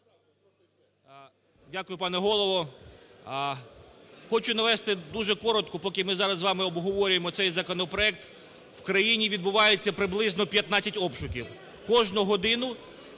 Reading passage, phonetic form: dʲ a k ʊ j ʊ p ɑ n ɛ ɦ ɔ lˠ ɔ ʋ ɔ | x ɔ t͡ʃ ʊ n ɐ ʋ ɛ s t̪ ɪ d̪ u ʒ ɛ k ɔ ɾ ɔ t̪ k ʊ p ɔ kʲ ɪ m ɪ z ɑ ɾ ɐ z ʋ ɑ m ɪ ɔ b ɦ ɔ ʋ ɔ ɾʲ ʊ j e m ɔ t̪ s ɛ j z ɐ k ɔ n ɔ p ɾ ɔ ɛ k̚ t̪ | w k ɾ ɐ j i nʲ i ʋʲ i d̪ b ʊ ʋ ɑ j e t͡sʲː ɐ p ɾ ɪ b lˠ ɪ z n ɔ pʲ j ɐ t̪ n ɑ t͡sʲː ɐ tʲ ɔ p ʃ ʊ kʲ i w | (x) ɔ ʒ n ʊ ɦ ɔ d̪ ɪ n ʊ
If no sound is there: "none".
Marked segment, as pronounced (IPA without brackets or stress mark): k